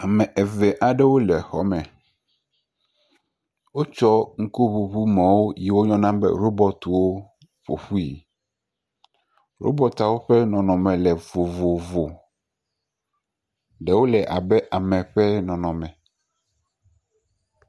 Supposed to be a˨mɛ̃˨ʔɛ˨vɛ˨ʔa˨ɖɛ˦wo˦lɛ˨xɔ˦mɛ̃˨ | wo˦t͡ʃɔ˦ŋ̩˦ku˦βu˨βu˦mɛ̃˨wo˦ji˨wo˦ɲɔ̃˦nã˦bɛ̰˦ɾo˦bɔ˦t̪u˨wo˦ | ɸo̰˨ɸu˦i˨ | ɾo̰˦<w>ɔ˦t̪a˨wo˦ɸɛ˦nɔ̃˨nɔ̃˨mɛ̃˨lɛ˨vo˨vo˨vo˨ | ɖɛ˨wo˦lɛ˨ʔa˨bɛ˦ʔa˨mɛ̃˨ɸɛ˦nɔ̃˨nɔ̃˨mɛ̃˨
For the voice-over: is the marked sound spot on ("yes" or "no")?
no